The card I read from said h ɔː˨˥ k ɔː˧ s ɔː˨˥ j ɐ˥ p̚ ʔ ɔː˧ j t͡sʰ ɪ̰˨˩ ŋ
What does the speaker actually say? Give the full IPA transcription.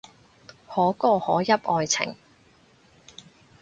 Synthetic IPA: h ɔː˨˥ k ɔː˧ h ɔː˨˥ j ɐ˥ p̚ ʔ ɔː˧ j t͡sʰ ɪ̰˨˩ ŋ